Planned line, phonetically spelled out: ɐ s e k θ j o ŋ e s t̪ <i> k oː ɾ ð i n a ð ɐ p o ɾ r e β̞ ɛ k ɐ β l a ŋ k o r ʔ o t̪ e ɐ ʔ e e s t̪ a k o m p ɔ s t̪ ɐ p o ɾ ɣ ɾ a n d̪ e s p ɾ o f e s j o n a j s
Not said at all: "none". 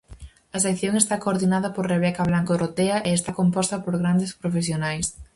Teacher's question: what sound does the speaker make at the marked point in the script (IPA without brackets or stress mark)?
a